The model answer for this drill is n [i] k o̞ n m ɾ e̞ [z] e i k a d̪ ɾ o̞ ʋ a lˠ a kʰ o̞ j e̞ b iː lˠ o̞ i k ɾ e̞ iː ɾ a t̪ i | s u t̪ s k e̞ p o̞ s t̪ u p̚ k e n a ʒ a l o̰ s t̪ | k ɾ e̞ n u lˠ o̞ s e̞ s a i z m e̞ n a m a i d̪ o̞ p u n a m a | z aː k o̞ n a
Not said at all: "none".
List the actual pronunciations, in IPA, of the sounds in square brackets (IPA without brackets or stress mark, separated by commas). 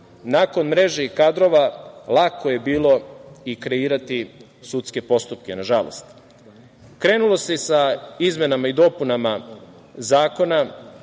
a, ʒ